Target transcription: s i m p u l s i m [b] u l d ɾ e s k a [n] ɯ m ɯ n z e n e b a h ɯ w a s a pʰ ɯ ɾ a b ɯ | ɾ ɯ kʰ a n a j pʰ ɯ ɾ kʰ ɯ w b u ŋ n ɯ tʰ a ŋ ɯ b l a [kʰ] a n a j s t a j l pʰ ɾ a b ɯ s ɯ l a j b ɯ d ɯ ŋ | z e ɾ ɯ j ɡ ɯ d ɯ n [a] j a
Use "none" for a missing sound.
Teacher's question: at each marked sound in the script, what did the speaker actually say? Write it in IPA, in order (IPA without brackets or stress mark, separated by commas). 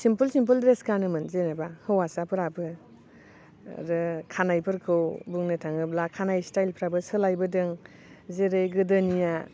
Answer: p, n, kʰ, i